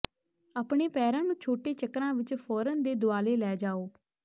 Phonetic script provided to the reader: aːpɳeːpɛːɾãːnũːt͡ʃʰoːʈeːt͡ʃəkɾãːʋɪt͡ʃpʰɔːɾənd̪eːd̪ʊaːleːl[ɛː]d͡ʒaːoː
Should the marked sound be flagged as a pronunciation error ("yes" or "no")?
no